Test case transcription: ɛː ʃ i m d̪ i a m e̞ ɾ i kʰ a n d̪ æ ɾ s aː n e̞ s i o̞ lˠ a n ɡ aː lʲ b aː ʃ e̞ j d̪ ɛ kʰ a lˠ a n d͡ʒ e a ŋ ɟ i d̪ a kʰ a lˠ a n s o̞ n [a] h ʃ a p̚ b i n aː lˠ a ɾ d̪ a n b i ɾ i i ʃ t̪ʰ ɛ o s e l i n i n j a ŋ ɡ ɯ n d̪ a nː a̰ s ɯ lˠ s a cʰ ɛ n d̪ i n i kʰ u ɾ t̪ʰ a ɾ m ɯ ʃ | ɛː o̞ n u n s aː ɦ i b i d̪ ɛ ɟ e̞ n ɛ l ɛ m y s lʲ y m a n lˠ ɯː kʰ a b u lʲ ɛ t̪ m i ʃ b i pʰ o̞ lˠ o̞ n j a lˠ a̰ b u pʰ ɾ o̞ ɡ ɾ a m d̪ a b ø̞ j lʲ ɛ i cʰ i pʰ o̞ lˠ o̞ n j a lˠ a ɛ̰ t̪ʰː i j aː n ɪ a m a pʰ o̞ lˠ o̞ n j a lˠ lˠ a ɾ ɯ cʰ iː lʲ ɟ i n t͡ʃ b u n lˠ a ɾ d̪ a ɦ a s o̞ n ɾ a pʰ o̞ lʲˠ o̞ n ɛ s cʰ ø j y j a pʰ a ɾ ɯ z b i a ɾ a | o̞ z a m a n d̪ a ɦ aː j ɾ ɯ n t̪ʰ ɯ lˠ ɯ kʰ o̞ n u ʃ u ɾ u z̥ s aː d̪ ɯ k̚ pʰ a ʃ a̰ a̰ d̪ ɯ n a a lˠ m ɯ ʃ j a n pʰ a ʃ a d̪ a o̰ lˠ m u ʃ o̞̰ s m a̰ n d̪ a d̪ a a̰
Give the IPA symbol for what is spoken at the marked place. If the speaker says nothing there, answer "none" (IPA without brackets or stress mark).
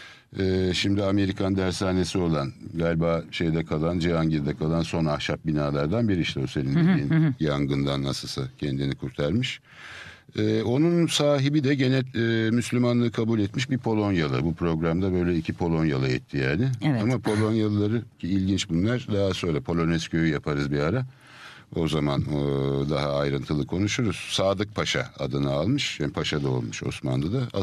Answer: a